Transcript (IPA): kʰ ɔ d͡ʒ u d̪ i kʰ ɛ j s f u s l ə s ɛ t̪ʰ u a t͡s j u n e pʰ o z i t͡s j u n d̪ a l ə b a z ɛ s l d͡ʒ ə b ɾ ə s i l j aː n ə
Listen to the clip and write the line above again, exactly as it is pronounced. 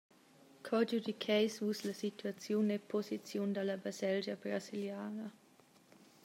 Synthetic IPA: kʰ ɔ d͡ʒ u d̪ i kʰ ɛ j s v u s l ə s i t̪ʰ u a t͡s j u n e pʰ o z i t͡s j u n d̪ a l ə b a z ɛ l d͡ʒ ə b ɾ a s i l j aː n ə